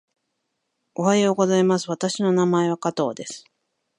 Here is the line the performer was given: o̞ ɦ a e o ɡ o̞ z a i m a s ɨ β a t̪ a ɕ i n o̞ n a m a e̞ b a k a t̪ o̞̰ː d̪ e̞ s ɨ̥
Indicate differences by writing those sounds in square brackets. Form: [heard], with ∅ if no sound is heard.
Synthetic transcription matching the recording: o̞ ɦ a e o ɡ o̞ z a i m a s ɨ β a t̪ a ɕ i n o̞ n a m a e̞ [β] a k a t̪ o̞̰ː d̪ e̞ s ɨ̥